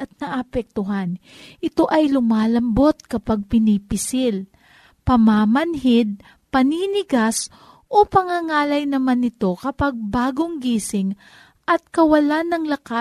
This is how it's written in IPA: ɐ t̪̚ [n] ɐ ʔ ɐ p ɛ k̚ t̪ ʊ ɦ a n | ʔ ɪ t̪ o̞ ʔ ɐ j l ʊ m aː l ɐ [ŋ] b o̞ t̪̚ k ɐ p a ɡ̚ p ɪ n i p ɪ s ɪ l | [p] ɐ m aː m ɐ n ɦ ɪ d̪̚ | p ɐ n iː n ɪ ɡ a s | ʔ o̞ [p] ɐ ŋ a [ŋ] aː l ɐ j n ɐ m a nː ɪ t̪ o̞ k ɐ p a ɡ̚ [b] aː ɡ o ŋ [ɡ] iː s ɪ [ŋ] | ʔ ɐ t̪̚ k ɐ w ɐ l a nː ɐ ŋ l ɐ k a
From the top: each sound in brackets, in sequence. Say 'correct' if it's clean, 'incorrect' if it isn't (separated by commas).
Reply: correct, incorrect, correct, correct, correct, correct, correct, correct